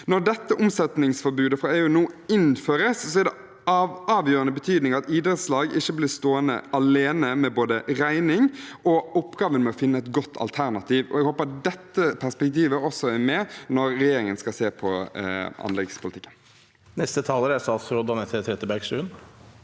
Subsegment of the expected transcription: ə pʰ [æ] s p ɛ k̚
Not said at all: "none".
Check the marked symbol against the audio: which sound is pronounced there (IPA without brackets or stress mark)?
æ